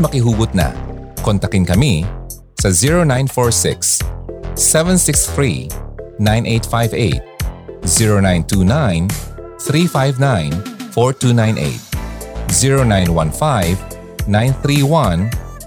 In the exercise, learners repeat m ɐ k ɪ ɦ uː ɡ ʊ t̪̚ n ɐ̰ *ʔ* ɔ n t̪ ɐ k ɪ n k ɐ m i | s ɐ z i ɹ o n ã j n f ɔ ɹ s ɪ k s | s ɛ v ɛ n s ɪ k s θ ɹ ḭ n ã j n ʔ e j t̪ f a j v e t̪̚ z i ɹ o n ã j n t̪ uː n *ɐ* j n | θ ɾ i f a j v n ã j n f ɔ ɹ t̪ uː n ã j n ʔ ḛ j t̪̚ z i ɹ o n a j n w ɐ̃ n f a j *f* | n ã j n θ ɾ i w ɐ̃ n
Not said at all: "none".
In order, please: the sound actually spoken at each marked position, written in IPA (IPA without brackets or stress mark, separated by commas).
k, a, v